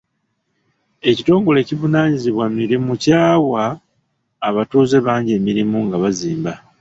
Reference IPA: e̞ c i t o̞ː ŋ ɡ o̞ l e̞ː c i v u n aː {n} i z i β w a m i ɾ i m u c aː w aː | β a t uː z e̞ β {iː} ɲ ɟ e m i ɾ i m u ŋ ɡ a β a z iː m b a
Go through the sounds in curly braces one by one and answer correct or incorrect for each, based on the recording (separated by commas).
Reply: incorrect, incorrect